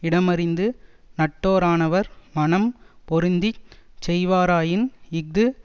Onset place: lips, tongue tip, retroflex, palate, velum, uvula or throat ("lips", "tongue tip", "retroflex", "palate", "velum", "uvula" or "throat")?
retroflex